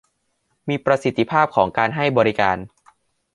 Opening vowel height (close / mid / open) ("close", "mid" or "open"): close